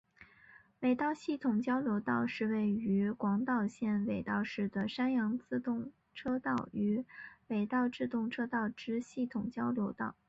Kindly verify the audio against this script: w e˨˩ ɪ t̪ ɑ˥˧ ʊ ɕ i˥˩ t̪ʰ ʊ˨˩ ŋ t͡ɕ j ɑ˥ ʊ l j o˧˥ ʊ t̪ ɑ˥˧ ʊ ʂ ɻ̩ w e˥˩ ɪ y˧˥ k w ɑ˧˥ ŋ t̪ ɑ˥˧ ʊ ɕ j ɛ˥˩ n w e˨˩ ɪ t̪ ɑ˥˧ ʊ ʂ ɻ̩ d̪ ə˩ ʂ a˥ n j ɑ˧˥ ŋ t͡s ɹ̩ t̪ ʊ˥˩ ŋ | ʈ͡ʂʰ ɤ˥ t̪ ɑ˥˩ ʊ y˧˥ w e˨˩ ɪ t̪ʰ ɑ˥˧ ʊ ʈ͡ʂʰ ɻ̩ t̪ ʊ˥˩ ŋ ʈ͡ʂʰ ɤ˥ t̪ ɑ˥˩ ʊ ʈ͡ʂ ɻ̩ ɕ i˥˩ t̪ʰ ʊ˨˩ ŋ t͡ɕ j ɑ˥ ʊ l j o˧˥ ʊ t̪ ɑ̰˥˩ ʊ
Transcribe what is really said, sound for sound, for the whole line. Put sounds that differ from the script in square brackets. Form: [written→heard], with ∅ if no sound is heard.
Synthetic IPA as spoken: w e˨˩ ɪ t̪ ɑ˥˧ ʊ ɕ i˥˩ t̪ʰ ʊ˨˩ ŋ t͡ɕ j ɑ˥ ʊ l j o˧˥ ʊ t̪ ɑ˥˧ ʊ ʂ ɻ̩ w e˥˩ ɪ y˧˥ k w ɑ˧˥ ŋ t̪ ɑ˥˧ ʊ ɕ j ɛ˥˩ n w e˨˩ ɪ t̪ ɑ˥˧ ʊ ʂ ɻ̩ d̪ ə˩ ʂ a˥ n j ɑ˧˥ ŋ t͡s ɹ̩ t̪ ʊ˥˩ ŋ | ʈ͡ʂʰ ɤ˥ t̪ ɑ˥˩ ʊ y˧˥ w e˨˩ ɪ [t̪ʰ→t̪] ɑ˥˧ ʊ [ʈ͡ʂʰ→ʈ͡ʂ] ɻ̩ t̪ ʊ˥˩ ŋ ʈ͡ʂʰ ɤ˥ t̪ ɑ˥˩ ʊ ʈ͡ʂ ɻ̩ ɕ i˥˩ t̪ʰ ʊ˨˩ ŋ t͡ɕ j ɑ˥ ʊ l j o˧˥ ʊ t̪ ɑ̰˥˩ ʊ